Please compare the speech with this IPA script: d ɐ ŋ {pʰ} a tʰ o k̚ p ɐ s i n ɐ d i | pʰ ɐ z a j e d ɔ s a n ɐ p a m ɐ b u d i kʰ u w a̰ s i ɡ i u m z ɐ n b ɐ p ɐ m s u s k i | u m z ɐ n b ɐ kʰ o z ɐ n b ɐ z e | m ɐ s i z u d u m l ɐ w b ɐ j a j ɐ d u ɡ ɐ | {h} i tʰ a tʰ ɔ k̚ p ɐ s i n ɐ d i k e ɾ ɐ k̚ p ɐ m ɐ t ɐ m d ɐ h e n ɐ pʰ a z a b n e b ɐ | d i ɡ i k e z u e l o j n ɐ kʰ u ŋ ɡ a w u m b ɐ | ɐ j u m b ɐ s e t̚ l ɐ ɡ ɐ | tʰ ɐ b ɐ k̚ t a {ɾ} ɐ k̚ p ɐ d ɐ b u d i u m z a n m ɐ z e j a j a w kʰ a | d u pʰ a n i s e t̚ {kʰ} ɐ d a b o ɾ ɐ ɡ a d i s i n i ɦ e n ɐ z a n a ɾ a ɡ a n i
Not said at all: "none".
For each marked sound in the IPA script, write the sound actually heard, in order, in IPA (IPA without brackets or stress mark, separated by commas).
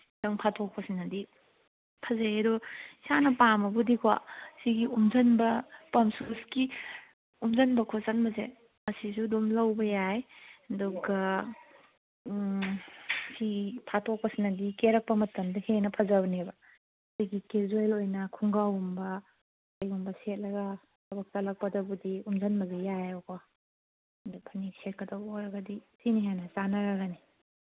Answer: pʰ, s, l, k